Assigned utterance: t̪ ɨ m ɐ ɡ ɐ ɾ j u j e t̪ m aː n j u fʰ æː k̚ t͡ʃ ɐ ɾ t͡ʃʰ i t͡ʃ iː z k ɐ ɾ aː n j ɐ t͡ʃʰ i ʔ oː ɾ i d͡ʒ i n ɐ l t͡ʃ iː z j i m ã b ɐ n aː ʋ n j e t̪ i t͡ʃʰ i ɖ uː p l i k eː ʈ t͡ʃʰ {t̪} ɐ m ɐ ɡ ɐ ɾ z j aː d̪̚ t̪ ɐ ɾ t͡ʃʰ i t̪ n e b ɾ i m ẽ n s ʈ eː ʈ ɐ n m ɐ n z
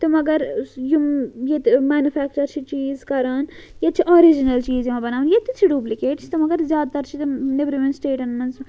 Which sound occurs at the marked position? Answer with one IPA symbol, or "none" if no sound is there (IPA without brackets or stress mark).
t̪